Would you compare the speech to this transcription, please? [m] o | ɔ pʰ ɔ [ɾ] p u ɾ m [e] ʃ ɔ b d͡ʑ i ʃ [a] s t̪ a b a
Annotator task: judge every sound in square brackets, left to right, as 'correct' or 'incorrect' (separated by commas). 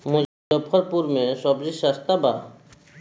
correct, correct, correct, correct